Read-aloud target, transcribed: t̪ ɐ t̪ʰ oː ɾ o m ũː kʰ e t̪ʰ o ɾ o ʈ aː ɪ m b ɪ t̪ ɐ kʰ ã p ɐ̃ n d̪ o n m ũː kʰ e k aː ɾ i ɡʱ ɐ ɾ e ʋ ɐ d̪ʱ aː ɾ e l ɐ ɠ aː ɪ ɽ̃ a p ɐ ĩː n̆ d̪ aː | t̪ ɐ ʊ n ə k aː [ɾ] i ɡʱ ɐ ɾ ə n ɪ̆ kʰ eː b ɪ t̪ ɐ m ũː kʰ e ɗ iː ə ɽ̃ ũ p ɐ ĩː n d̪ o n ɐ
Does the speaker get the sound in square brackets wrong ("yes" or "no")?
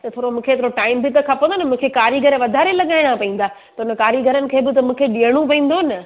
no